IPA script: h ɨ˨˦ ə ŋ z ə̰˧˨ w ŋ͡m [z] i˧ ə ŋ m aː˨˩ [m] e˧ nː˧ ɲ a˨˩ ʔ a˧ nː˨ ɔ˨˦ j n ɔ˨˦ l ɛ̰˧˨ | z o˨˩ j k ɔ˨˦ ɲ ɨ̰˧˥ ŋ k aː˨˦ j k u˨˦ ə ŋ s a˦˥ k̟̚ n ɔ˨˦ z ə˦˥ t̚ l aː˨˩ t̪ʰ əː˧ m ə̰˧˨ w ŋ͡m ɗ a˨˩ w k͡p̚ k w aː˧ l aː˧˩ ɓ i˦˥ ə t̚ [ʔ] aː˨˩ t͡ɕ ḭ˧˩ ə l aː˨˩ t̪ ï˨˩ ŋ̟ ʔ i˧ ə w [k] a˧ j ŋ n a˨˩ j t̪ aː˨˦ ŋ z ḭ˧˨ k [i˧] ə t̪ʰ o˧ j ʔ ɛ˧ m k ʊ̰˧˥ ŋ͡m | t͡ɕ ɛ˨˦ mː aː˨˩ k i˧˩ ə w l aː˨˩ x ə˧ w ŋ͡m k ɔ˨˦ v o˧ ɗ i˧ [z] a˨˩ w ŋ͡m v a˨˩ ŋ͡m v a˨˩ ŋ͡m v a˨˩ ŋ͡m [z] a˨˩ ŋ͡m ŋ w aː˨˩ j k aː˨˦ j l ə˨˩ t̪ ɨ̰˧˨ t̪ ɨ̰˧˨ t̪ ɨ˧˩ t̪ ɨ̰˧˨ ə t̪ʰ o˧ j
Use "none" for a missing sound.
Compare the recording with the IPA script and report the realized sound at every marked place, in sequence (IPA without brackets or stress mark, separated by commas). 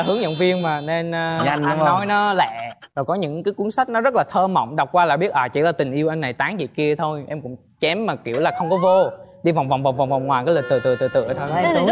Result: v, n, ʔ, ʔ, i˧, v, v